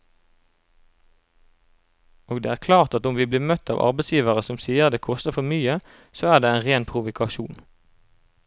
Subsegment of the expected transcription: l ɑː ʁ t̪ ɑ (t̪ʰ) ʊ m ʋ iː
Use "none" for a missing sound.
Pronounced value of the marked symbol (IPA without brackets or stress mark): t̪